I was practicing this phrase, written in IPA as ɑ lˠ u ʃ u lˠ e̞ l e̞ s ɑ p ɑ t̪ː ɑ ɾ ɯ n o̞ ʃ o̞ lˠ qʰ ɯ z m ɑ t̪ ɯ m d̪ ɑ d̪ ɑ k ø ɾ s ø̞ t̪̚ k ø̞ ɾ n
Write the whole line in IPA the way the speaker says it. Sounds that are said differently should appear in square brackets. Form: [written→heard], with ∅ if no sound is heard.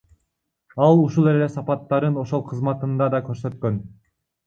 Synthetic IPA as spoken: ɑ lˠ u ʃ u lˠ e̞ l e̞ s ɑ p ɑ t̪ː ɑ ɾ ɯ n o̞ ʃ o̞ lˠ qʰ ɯ z m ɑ t̪ ɯ [m→n] d̪ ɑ d̪ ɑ k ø ɾ s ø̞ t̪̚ k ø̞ [ɾ→∅] n